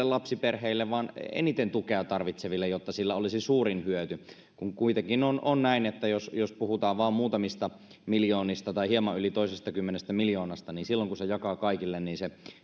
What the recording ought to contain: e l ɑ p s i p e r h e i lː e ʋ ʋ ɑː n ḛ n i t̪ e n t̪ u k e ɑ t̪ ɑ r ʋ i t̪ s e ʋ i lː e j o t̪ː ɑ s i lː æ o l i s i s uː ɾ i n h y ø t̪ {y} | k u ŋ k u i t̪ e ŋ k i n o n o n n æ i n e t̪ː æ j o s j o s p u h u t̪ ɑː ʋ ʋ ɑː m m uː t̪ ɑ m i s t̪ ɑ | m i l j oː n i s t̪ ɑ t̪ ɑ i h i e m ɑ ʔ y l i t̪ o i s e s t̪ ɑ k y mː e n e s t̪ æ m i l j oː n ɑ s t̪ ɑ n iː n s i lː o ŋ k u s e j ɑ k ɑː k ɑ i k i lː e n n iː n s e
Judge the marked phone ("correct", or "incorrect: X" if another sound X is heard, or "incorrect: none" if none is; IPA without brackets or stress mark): correct